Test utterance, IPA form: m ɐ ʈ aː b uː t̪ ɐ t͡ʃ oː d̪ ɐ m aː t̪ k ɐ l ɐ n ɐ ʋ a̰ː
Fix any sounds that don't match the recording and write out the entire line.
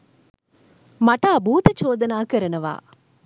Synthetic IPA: m ɐ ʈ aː b uː t̪ ɐ t͡ʃ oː d̪ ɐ n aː k ɐ ɾ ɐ n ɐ ʋ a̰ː